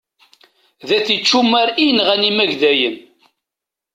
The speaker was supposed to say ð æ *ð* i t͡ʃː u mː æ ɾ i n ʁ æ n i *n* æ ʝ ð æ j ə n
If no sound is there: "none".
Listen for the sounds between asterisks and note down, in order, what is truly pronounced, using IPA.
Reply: θ, m

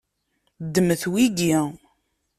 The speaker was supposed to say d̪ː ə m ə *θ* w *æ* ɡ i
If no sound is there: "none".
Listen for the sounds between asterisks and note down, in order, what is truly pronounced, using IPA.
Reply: θ, i

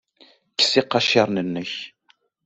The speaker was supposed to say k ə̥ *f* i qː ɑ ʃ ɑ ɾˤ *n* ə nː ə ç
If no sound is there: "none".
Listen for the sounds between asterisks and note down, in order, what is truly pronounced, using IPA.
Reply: s, n

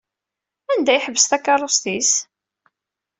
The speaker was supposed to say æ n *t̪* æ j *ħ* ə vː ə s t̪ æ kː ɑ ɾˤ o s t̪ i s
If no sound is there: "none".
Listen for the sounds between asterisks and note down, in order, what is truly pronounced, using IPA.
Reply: d̪, ħ

